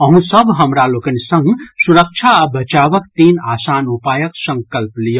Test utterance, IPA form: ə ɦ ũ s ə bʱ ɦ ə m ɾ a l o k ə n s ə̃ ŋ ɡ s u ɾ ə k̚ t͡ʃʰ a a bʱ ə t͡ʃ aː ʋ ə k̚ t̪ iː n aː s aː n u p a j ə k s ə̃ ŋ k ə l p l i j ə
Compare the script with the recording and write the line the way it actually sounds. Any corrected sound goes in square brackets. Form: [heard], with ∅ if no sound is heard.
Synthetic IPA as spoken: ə ɦ ũ s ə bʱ ɦ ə m ɾ a l o k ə n s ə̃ ŋ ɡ s u ɾ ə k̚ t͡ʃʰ a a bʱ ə t͡ʃ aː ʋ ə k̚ t̪ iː n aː s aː n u p a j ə k s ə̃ ŋ k ə l p l i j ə